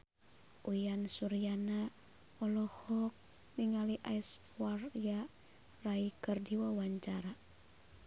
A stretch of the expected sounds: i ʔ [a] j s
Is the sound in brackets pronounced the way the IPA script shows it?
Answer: yes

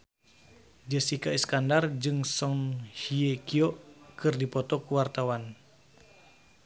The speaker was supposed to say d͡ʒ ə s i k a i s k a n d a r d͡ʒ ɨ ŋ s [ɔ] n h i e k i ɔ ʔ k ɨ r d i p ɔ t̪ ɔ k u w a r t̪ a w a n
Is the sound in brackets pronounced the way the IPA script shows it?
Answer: yes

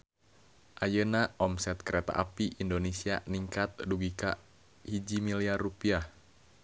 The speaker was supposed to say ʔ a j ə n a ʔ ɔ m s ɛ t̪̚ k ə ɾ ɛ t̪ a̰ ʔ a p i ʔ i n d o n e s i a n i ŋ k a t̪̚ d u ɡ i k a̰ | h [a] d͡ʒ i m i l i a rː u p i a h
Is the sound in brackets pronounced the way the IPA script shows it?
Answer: no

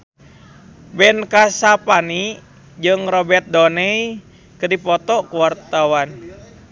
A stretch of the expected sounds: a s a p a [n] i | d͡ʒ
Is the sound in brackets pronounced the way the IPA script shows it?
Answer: yes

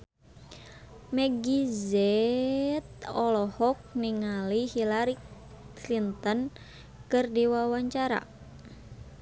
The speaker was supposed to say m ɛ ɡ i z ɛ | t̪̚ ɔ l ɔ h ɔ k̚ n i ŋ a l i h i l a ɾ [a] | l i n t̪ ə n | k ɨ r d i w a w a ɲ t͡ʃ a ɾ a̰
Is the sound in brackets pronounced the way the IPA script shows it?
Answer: no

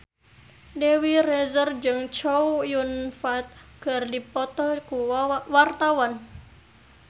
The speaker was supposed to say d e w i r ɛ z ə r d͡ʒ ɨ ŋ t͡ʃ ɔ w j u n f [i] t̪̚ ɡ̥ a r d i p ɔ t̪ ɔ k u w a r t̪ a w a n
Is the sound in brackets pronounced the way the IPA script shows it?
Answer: no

